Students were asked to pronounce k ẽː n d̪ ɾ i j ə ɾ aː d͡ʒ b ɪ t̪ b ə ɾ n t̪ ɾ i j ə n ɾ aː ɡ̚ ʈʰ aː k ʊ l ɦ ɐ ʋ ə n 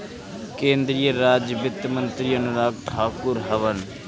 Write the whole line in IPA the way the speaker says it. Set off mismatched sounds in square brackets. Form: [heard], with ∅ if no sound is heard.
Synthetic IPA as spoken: k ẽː n d̪ ɾ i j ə ɾ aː d͡ʒ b ɪ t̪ [m] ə [∅] n t̪ ɾ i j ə n ɾ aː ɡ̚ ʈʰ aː k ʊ [ɾ] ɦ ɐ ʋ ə n

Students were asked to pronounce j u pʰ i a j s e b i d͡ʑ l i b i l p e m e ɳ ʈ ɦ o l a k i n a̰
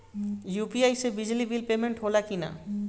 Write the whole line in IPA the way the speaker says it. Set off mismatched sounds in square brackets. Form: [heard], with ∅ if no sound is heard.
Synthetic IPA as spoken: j u [p] i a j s e b i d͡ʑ l i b i l p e m e ɳ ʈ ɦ o l a k i n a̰

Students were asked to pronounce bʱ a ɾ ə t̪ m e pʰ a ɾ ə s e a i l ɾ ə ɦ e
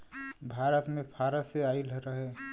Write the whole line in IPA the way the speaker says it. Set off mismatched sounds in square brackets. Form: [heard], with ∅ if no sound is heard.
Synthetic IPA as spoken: bʱ a ɾ ə t̪ m e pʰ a ɾ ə s e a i l ɾ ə ɦ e

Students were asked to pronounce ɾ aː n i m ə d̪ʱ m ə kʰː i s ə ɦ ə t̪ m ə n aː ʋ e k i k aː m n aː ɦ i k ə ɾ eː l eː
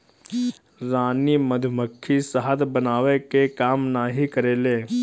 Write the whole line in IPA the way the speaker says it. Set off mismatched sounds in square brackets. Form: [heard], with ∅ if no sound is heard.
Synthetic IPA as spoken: ɾ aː n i m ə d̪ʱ m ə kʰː i s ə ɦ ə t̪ [b] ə n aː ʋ e k [e] k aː m n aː ɦ i k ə ɾ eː l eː

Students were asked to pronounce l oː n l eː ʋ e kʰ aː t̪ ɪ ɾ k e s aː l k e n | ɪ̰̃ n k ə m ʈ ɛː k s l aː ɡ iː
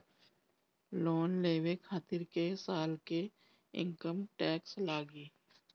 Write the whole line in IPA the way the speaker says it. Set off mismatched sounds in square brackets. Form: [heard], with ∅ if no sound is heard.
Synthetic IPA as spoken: l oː n l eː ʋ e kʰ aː t̪ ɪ ɾ k e s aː l k e [∅] | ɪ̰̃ [ŋ] k ə m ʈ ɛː k s l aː ɡ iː

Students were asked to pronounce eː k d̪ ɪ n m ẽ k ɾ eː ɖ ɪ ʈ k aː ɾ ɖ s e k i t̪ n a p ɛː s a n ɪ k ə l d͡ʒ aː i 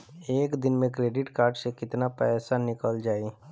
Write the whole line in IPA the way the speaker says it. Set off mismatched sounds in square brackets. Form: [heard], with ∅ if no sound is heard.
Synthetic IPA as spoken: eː k d̪ ɪ n m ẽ k ɾ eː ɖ ɪ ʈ k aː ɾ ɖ s e k [ɪ] t̪ n a p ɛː s a n ɪ k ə l d͡ʒ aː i

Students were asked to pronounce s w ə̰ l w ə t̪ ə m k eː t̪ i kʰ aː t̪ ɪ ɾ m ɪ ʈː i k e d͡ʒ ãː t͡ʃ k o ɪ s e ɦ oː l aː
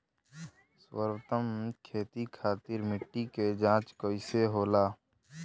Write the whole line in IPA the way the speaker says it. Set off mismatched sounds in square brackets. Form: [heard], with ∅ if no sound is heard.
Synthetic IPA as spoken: s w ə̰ [ɾ] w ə t̪ ə m [kʰ] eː t̪ i kʰ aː t̪ ɪ ɾ m ɪ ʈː i k e d͡ʒ ãː t͡ʃ k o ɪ s e ɦ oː l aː

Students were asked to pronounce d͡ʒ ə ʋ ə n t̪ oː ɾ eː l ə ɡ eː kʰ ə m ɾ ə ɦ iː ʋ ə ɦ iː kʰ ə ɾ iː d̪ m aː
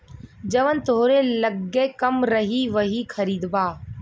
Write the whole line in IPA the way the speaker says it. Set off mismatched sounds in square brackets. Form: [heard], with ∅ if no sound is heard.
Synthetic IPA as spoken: d͡ʒ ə ʋ ə n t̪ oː ɾ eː l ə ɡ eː [k] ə m ɾ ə ɦ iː ʋ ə ɦ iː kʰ ə ɾ iː d̪ [b] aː

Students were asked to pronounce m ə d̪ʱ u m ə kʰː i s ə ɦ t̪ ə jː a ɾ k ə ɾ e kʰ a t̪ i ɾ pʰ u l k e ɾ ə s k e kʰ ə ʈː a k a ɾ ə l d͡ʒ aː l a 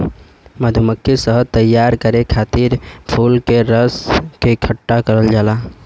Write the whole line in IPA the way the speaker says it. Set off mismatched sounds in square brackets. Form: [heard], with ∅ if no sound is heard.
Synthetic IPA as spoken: m ə d̪ʱ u m ə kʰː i s ə ɦ t̪ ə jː a ɾ k ə ɾ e kʰ a t̪ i ɾ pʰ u l k e ɾ ə s k e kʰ ə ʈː a k [ə] ɾ ə l d͡ʒ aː l a

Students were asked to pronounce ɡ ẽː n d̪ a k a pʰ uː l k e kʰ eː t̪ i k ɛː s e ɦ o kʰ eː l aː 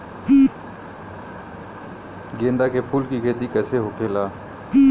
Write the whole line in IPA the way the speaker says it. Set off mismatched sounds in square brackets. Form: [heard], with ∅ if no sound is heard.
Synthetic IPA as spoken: ɡ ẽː n d̪ a k [e] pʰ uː l k [i] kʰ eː t̪ i k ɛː s e ɦ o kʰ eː l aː

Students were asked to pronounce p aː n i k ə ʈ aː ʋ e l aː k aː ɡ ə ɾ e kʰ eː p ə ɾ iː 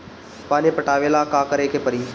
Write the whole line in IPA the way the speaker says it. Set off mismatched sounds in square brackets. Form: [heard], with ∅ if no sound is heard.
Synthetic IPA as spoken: p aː n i [p] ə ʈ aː ʋ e l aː k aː [k] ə ɾ e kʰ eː p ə ɾ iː

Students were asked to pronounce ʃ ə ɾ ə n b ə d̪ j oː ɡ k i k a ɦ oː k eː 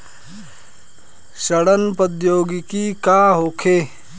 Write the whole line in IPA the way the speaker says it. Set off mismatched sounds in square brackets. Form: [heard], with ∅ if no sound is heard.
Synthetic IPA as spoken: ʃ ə [ɽ] ə n [p] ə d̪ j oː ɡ k i k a ɦ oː [kʰ] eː

